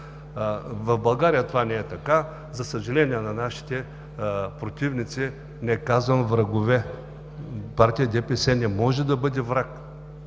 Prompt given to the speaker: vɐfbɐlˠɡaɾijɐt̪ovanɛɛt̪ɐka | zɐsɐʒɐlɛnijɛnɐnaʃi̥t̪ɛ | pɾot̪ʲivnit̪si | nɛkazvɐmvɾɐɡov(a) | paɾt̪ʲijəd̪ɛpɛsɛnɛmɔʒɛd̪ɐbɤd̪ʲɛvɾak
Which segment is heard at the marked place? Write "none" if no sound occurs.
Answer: ɛ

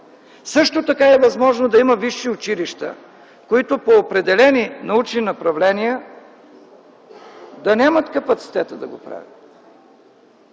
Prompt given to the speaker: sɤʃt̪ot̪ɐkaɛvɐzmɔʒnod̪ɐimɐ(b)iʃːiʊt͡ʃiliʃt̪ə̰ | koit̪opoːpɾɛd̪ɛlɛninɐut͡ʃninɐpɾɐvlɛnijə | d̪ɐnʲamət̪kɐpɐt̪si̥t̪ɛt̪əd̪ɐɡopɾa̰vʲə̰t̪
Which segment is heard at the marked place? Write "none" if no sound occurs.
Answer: v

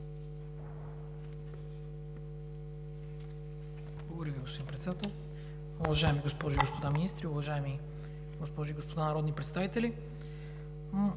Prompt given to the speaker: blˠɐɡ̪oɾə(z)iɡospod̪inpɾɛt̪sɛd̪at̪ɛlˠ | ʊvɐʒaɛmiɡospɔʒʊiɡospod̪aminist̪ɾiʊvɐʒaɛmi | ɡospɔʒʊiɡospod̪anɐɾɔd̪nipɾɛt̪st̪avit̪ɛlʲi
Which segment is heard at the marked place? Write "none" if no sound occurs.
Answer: v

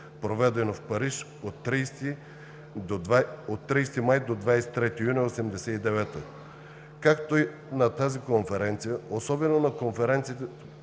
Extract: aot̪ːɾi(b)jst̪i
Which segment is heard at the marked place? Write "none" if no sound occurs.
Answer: none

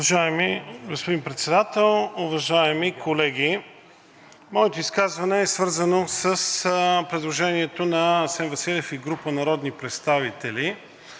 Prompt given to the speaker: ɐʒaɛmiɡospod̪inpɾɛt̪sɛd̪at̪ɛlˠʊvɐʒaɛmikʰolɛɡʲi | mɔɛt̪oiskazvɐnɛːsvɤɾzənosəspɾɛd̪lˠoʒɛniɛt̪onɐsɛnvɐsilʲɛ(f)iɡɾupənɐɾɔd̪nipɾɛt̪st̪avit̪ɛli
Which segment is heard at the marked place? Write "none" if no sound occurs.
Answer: f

